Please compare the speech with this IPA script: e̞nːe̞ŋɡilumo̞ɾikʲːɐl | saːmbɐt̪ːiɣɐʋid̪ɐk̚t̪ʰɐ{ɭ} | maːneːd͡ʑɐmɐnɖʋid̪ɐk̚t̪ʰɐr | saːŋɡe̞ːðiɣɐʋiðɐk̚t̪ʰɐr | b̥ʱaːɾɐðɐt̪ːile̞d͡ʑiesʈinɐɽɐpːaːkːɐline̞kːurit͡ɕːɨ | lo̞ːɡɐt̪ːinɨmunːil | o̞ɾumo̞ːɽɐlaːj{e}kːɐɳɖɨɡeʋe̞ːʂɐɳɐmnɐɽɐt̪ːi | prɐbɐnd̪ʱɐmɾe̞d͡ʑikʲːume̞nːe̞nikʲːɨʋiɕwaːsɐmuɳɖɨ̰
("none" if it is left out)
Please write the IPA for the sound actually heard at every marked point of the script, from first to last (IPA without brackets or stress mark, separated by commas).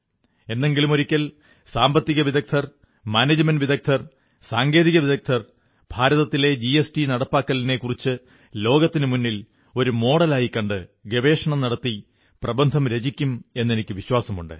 r, i